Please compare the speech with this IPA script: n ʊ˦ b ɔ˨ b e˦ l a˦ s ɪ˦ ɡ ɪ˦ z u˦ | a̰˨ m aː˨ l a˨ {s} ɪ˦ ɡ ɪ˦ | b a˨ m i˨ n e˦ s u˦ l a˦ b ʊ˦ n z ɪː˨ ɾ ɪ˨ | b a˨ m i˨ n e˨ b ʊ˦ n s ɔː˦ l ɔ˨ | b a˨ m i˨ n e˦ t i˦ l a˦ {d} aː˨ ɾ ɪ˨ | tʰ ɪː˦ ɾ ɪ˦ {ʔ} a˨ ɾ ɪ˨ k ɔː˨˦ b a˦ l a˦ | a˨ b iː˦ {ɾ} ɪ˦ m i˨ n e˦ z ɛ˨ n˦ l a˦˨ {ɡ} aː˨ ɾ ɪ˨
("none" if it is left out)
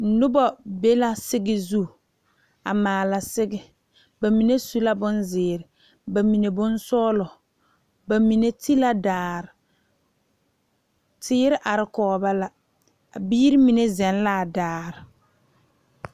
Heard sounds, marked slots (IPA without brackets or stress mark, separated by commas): s, d, ʔ, ɾ, d